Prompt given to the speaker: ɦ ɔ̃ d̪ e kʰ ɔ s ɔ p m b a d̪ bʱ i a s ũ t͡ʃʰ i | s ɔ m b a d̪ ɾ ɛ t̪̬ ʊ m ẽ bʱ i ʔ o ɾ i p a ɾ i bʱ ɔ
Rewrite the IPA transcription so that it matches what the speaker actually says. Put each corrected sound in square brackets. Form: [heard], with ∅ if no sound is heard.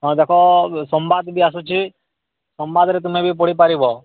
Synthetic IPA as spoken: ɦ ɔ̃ d̪ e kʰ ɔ s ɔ [∅] m b a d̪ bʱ i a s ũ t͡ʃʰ i | s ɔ m b a d̪ ɾ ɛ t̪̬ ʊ m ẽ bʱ i [p] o [ɽ] i p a ɾ i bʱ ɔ